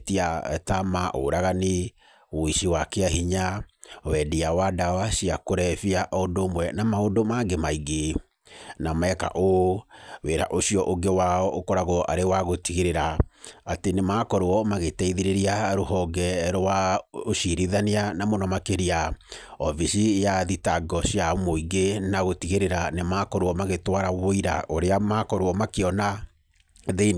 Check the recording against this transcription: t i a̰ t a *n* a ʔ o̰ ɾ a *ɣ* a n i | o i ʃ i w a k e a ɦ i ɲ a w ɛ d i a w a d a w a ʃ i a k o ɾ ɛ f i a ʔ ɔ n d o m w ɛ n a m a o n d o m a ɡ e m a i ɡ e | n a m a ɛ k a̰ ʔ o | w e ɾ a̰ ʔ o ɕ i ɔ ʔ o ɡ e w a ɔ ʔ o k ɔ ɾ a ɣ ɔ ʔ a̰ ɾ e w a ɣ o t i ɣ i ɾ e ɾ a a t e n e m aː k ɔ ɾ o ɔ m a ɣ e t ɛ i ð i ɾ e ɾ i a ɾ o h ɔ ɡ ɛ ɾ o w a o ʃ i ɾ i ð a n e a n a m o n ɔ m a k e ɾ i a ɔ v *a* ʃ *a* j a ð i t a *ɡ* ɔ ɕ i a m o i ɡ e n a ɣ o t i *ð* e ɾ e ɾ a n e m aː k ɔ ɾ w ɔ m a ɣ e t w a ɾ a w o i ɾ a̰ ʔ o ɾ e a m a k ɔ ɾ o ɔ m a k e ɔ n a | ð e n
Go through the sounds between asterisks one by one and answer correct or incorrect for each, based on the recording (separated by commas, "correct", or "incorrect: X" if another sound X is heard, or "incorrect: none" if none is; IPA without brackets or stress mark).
incorrect: m, correct, incorrect: i, incorrect: i, correct, incorrect: ɣ